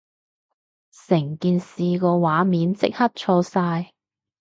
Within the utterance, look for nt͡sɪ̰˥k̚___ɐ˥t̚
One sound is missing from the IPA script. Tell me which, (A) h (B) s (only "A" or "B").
A